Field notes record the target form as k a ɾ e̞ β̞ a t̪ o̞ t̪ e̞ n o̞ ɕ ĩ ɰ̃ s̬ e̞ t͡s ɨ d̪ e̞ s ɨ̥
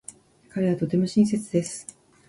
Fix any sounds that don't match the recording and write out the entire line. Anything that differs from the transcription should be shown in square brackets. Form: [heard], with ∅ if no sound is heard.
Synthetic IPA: k a ɾ e̞ β̞ a t̪ o̞ t̪ e̞ [m] o̞ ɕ ĩ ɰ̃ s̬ e̞ t͡s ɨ d̪ e̞ s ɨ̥